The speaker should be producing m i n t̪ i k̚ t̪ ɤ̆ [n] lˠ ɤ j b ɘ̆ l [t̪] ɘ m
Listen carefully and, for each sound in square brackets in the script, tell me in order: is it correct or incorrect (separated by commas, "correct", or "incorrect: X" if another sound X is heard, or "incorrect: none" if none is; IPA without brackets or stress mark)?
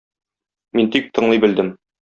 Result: incorrect: ɴ, incorrect: d̪